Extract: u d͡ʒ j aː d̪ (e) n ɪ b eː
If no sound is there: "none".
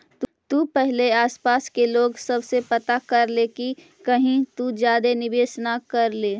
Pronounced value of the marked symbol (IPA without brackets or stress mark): e